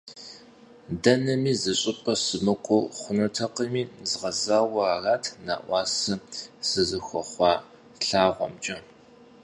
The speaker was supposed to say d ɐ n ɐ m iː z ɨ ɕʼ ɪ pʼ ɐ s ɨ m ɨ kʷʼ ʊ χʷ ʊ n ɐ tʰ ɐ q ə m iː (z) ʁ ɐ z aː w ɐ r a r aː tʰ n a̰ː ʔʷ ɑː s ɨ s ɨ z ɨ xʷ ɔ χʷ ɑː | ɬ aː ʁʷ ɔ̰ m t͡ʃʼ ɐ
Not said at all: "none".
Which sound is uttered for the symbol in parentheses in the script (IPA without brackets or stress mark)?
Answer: z